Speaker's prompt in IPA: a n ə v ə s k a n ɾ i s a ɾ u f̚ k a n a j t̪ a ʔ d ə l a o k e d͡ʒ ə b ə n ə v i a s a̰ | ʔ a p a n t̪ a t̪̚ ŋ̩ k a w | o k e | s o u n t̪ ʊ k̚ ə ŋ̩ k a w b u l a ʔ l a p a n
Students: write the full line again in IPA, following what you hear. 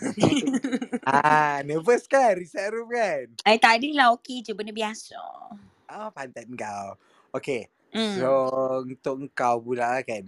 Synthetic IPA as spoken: a n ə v ə s k a n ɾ i s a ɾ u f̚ k a n a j t̪ a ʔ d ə l a o k e d͡ʒ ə b ə n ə b i a s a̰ | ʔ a p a n t̪ a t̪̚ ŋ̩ k a w | o k e | s o u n t̪ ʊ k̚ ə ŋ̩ k a w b u l a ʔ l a k a n